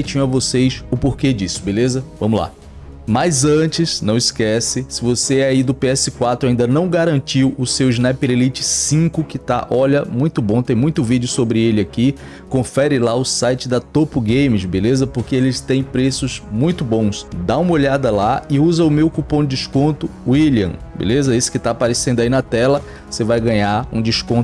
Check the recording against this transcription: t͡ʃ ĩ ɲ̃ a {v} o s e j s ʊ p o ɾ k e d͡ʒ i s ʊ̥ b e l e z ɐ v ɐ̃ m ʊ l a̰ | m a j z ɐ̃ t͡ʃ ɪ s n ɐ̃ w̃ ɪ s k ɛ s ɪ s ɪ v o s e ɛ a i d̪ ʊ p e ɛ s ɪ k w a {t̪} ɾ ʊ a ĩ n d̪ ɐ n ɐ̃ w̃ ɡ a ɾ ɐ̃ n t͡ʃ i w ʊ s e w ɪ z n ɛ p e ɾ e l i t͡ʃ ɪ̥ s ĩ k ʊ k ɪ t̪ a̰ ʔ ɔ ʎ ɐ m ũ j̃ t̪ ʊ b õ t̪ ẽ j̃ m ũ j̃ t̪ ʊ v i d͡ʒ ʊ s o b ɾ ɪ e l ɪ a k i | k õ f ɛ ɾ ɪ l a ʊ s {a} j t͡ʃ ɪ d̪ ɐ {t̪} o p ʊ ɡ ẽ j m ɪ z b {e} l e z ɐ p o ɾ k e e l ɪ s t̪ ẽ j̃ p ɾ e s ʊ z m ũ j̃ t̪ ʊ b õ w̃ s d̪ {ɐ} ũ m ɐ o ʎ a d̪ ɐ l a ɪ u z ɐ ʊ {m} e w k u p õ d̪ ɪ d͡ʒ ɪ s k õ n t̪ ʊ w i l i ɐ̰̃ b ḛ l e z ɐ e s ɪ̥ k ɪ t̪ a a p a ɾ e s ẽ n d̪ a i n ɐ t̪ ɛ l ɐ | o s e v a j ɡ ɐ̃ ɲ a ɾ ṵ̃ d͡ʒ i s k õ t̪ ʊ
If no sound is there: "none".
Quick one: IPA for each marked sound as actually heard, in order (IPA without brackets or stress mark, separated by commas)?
v, t̪, a, t̪, e, a, m